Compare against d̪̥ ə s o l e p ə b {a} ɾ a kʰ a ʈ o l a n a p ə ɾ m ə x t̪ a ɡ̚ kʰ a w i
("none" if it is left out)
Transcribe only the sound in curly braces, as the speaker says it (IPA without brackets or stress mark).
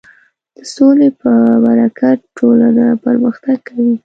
a